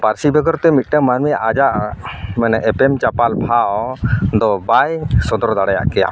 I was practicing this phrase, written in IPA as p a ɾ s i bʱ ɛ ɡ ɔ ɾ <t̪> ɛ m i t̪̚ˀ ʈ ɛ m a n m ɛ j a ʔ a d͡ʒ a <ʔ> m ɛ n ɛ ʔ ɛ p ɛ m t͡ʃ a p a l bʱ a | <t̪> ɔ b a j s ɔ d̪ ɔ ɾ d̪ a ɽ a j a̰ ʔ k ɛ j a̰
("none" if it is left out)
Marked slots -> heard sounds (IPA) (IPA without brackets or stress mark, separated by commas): t̪, ʔ, d̪